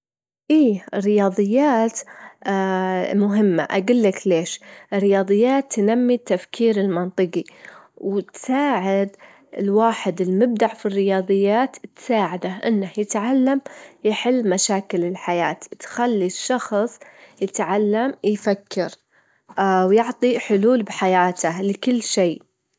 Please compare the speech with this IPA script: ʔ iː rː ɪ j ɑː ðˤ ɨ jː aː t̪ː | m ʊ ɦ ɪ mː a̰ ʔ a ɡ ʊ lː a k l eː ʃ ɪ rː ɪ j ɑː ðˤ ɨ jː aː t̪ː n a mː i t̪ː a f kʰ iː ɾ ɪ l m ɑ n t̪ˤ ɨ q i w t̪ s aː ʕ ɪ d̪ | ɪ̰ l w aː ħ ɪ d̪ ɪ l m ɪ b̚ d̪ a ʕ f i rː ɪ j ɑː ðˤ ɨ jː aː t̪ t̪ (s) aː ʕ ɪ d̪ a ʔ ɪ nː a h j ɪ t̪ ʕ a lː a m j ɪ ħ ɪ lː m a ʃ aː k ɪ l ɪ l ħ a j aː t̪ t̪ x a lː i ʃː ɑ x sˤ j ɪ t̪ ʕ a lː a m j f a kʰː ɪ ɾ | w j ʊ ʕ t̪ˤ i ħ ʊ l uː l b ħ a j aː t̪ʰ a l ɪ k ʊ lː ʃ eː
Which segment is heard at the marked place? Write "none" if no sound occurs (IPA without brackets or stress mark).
s